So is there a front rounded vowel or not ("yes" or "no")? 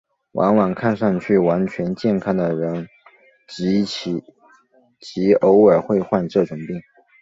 yes